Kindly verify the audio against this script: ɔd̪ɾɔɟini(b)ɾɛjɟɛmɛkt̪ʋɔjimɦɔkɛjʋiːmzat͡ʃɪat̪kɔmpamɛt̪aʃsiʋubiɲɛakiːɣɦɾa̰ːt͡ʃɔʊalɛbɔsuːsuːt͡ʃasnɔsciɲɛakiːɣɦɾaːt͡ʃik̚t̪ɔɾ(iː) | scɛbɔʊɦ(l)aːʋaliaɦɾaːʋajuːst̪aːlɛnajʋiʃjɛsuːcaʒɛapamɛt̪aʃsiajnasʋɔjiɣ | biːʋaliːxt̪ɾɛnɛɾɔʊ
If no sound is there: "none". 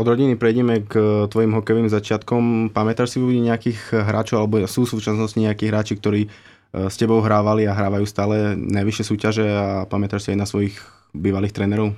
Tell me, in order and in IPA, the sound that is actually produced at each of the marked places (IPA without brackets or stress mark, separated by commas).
p, iː, ɾ